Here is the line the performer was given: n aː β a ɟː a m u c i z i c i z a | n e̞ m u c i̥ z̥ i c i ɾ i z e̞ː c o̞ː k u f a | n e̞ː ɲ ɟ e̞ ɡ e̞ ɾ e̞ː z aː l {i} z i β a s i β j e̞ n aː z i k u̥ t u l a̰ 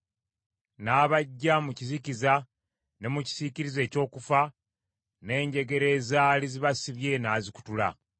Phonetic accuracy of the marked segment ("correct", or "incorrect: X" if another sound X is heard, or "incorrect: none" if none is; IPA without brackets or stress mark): correct